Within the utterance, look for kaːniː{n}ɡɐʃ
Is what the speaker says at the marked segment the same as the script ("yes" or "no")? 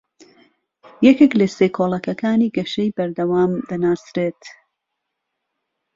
no